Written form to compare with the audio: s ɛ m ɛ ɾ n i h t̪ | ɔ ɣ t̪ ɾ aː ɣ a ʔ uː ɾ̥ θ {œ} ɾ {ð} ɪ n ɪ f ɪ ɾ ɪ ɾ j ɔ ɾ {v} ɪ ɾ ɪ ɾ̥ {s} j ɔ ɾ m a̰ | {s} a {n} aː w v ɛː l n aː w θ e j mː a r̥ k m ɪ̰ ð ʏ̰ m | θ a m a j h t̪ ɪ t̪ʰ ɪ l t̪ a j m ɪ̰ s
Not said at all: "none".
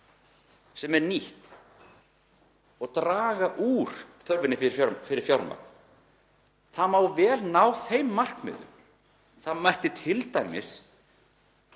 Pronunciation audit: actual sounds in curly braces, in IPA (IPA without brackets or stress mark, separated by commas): œ, v, f, f, θ, m